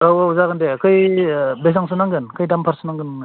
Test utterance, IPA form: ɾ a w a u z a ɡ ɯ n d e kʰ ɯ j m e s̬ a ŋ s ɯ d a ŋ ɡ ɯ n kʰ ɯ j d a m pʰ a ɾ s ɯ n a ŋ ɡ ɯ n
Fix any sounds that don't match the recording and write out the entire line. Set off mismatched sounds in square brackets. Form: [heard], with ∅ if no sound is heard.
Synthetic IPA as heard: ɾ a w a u z a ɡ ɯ n d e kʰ ɯ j [b] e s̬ a ŋ s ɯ [n] a ŋ ɡ ɯ n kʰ ɯ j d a m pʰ a ɾ s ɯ n a ŋ ɡ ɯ n